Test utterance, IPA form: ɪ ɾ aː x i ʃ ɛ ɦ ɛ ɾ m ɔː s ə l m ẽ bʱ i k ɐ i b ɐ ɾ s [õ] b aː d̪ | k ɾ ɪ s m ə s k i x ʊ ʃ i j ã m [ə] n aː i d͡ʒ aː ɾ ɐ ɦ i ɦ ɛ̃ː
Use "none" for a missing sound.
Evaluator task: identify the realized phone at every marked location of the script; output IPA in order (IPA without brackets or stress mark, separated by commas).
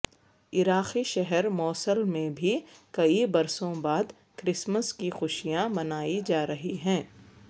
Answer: õ, ɐ